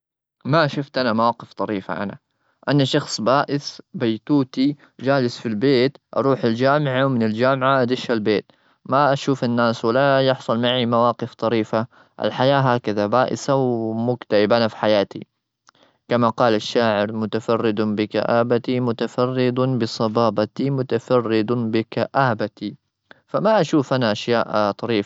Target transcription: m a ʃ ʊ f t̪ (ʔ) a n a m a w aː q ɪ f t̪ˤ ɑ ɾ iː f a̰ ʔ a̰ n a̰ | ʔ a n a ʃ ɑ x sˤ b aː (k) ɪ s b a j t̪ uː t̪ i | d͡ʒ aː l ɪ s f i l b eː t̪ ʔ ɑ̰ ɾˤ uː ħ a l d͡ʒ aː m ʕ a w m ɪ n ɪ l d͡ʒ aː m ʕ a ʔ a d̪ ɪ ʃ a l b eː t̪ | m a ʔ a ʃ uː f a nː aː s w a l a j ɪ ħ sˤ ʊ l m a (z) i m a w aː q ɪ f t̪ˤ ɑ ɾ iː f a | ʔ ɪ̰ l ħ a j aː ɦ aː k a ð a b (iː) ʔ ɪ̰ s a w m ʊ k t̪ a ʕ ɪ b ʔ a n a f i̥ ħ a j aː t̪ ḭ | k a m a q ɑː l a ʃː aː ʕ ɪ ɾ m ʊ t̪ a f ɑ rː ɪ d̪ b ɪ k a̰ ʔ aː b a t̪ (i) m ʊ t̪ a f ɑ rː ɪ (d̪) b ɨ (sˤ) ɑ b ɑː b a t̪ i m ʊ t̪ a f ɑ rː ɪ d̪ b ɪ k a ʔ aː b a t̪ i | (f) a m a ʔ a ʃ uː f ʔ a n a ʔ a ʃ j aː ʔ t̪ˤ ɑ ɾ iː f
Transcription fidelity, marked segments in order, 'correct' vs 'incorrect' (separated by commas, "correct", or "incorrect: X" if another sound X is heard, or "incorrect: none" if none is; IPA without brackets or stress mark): correct, incorrect: ʔ, incorrect: ʕ, incorrect: aː, correct, correct, correct, correct